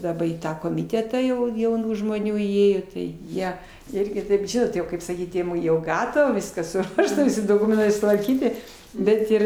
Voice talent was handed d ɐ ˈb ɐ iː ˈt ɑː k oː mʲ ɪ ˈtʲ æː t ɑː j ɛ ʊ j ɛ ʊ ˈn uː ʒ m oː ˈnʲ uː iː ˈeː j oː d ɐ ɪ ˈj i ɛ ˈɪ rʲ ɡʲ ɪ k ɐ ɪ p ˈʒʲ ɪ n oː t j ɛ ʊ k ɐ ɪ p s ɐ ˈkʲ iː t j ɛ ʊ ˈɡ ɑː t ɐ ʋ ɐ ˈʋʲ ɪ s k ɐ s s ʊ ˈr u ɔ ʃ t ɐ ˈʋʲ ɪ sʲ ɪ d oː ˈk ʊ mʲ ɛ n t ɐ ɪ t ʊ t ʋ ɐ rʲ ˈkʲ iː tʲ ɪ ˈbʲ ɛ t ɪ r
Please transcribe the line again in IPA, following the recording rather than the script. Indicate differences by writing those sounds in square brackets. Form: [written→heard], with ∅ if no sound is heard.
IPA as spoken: d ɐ ˈb ɐ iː ˈt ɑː k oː mʲ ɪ ˈtʲ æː t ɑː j ɛ ʊ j ɛ ʊ ˈn uː ʒ m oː ˈnʲ uː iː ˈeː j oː [d→t] ɐ ɪ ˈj i ɛ ˈɪ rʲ ɡʲ ɪ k ɐ ɪ p ˈʒʲ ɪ n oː t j ɛ ʊ k ɐ ɪ p s ɐ ˈkʲ iː t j ɛ ʊ ˈɡ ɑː t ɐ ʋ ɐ ˈʋʲ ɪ s k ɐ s s ʊ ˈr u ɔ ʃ t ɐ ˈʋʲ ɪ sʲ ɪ d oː ˈk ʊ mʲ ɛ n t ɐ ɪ [t→s] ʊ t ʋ ɐ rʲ ˈkʲ iː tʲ ɪ ˈbʲ ɛ t ɪ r